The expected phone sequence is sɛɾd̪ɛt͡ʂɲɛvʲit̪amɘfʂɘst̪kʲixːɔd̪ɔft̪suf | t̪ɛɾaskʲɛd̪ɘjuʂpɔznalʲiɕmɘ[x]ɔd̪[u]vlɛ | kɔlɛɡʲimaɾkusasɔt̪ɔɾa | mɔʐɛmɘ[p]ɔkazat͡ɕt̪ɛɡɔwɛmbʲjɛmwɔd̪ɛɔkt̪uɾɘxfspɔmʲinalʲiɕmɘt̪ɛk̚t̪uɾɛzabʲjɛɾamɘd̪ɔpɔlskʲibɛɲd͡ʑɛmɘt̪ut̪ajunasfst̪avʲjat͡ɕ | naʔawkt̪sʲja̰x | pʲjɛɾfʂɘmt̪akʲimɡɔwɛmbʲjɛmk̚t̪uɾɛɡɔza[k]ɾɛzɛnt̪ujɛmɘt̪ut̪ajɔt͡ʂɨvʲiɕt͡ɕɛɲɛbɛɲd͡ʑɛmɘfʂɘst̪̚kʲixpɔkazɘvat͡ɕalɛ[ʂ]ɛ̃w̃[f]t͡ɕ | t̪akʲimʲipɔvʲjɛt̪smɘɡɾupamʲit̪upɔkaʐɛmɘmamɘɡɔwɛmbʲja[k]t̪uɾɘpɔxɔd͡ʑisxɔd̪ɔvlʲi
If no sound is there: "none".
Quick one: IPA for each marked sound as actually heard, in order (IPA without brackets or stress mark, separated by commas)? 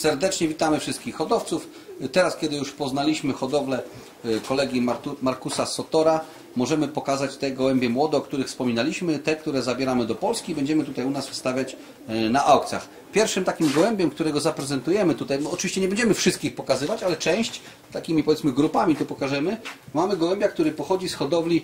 x, ɔ, p, p, t͡ʂ, ɕ, k